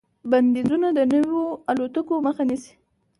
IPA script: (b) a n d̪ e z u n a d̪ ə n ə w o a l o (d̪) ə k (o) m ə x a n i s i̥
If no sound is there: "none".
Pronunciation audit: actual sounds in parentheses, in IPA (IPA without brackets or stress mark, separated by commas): b, t̪, o